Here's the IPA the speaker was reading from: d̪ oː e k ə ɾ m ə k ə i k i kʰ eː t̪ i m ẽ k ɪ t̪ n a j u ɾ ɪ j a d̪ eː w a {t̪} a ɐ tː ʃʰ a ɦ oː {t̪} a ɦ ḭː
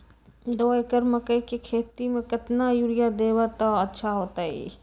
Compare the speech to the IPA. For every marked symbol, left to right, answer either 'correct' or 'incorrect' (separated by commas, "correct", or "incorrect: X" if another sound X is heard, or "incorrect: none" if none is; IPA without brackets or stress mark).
correct, correct